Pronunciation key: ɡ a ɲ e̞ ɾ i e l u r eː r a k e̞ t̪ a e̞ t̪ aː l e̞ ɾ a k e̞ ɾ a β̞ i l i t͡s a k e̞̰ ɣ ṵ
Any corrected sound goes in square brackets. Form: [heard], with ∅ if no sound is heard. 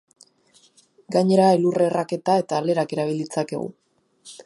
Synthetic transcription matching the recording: ɡ a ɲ e̞ ɾ [a] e l u r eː r a k e̞ t̪ a e̞ t̪ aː l e̞ ɾ a k e̞ ɾ a β̞ i l i t͡s a k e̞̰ ɣ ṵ